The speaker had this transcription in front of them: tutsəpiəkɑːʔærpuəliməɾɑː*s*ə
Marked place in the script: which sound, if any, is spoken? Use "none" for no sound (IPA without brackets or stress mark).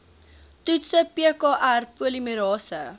s